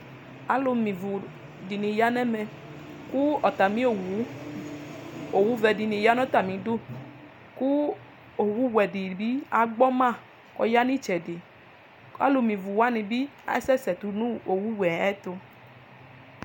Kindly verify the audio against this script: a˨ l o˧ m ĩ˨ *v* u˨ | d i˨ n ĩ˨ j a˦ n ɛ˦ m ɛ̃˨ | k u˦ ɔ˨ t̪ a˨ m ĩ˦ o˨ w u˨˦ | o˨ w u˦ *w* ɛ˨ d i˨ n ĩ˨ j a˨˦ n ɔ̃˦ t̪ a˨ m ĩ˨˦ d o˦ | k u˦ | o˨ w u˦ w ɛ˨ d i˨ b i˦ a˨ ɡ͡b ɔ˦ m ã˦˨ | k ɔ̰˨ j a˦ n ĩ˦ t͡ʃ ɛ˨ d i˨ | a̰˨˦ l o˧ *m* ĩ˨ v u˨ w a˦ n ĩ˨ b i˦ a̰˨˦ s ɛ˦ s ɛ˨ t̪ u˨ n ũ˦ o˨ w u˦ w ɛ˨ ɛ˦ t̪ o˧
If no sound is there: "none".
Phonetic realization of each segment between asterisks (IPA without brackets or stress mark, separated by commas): v, v, m